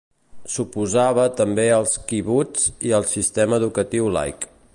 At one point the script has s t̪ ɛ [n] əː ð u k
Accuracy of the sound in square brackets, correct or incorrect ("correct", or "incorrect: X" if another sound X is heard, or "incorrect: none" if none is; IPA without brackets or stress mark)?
incorrect: m